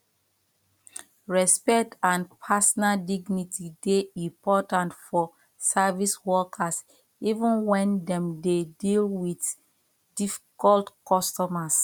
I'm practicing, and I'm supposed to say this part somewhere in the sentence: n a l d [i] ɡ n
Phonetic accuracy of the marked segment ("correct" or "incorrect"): correct